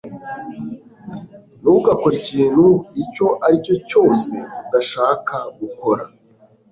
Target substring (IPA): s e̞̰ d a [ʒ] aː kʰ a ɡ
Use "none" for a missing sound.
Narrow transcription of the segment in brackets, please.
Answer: ʃ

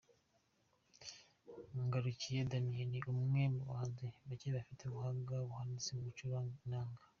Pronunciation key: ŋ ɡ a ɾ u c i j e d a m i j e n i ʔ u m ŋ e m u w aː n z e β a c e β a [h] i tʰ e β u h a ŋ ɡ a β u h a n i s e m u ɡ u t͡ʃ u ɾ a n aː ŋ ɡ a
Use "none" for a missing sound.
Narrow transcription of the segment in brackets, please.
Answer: f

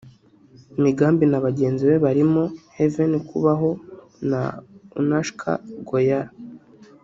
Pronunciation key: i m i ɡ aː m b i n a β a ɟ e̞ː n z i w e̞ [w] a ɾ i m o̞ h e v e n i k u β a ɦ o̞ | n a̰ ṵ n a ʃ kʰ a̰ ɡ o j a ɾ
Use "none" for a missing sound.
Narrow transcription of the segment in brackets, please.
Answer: β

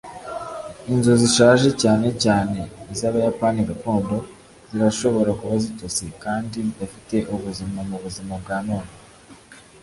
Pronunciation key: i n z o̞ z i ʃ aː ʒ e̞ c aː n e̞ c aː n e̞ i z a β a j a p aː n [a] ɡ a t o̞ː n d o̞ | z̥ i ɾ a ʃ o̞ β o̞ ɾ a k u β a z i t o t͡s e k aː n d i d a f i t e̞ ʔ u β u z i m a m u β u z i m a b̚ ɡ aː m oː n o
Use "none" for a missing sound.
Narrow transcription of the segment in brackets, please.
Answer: i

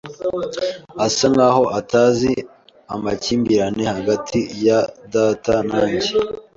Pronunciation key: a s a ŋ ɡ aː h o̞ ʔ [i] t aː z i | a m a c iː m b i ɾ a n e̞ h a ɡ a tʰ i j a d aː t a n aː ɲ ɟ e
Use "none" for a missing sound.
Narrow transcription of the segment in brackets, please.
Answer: a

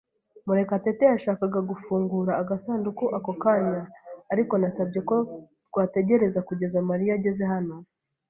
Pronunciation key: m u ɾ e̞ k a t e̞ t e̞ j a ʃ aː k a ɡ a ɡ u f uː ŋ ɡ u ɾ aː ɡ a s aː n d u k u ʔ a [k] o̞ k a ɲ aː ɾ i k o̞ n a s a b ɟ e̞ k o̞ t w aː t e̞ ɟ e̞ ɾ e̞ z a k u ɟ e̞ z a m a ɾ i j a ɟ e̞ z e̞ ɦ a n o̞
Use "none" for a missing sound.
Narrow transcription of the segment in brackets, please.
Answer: k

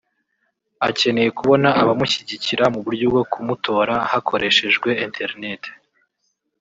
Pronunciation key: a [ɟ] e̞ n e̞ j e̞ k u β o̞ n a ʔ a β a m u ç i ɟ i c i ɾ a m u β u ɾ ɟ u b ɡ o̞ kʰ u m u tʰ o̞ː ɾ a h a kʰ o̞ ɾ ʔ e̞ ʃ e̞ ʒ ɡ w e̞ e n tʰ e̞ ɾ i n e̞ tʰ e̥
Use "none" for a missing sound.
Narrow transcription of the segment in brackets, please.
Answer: c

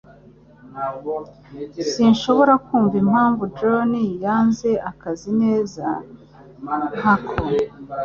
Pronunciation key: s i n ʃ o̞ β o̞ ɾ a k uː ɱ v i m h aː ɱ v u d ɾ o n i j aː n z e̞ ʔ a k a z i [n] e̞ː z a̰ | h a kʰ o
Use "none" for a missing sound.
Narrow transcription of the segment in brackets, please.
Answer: n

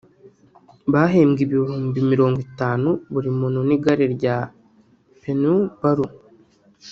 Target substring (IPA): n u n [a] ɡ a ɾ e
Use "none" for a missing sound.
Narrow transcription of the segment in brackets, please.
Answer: i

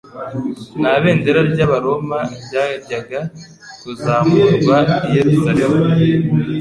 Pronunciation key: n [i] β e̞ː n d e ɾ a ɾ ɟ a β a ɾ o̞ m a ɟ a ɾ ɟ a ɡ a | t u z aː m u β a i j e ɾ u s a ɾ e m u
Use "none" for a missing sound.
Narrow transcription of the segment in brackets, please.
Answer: a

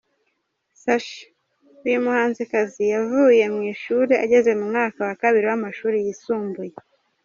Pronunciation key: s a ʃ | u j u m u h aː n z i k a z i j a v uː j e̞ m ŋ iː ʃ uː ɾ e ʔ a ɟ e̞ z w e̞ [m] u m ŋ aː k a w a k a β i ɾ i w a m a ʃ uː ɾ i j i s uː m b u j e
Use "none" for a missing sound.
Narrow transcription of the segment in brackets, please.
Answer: m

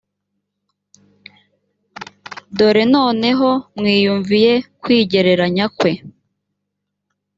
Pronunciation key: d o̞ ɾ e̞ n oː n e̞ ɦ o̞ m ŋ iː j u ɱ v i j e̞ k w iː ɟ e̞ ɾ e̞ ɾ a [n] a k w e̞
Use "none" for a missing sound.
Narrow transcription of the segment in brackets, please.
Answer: ɲ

